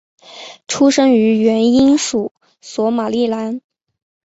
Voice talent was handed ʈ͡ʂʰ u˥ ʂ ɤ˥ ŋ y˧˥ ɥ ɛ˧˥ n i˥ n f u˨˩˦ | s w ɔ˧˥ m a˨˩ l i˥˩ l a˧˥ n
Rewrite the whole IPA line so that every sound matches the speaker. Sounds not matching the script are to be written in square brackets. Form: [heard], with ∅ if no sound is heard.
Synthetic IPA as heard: ʈ͡ʂʰ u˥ ʂ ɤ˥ ŋ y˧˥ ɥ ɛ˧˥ n i˥ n [ʂ] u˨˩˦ | s w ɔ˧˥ m a˨˩ l i˥˩ l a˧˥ n